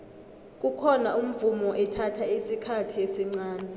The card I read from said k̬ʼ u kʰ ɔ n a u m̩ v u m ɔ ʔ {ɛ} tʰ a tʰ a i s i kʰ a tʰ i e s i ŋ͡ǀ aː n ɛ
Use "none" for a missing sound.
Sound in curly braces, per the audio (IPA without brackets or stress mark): ɛ